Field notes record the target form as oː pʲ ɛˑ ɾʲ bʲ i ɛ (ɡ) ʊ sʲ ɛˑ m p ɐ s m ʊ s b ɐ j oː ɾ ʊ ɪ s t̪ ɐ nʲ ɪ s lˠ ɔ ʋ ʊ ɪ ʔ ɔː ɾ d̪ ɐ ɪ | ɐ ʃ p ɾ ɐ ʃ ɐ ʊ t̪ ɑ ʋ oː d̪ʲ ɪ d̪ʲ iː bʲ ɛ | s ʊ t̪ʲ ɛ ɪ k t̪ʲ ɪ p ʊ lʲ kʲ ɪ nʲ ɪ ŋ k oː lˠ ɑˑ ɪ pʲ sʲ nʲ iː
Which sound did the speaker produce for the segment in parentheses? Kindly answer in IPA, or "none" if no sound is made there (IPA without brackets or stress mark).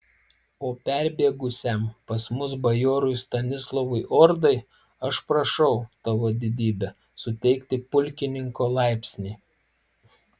ɡ